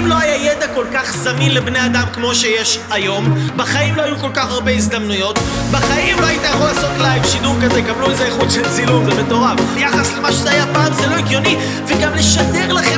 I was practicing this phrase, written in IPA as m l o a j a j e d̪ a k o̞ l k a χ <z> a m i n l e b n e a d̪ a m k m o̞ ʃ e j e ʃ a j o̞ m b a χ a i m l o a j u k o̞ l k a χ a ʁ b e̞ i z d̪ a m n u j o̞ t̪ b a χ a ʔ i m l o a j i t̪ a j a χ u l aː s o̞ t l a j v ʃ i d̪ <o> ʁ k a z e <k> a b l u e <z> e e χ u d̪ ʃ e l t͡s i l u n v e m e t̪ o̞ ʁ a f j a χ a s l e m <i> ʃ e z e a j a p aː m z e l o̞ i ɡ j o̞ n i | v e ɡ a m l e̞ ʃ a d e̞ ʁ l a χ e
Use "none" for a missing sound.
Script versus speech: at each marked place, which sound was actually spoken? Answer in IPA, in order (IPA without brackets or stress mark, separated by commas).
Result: z, u, k, z, a